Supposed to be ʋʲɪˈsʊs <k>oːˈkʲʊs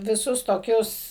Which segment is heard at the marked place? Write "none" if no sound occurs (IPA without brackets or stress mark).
t